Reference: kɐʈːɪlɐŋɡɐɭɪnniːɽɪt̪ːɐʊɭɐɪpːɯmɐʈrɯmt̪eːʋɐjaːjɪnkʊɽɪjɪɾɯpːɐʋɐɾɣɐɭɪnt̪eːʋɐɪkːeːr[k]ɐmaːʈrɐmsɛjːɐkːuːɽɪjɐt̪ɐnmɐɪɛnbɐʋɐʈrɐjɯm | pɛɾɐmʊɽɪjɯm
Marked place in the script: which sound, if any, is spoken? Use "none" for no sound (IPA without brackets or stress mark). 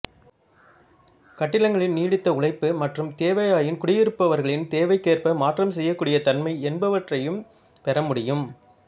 p